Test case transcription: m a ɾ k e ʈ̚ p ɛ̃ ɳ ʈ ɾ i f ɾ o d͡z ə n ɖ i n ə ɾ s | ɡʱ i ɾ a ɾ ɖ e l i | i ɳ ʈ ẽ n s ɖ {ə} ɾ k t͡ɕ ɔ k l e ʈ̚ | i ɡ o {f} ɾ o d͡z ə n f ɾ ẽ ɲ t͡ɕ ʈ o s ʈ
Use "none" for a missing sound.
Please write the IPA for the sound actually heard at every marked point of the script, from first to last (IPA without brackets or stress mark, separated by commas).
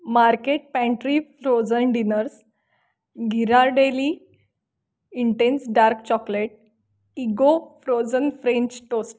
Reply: a, f